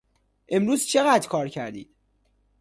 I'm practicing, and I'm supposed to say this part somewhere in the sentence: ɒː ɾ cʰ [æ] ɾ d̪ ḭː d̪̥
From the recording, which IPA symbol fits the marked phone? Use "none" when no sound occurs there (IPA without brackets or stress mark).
æ